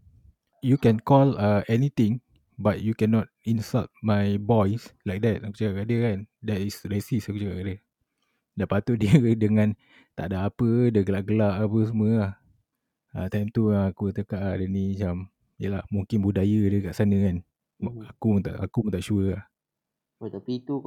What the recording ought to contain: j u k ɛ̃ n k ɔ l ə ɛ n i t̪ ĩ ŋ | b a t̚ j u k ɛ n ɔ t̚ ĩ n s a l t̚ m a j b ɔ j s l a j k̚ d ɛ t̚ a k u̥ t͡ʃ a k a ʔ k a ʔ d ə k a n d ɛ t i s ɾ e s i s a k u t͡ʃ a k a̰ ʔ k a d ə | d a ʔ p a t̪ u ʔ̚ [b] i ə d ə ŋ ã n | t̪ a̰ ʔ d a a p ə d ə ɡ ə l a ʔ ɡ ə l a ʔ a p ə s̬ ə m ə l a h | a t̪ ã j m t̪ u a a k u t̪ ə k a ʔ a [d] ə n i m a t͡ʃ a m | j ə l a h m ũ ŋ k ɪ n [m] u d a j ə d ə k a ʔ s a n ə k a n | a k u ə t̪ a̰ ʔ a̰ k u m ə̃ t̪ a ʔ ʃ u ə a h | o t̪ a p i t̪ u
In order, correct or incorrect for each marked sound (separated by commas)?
incorrect, correct, incorrect